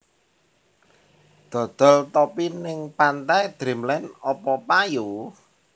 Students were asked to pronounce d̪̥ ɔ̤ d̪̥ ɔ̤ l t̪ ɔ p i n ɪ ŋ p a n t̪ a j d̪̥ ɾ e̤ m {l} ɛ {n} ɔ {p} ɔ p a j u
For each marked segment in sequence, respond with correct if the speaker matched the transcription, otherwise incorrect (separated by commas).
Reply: correct, correct, correct